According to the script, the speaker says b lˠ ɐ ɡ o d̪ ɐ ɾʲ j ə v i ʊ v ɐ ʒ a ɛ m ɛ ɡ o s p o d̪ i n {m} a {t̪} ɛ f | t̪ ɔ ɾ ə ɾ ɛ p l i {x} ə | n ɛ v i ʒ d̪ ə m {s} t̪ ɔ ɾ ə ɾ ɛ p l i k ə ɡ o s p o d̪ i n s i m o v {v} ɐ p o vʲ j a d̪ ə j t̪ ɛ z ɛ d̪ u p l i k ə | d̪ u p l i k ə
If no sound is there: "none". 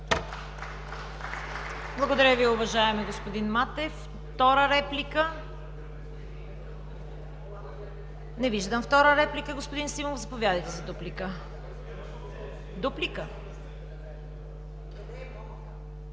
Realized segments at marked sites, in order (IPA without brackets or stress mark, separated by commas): m, t̪, k, f, z